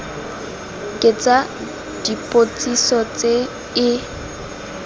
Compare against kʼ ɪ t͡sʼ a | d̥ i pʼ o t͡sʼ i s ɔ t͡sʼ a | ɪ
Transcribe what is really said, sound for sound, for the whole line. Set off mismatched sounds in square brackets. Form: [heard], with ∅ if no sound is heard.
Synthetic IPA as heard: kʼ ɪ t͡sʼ a | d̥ i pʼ o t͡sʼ i s ɔ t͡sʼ [e] | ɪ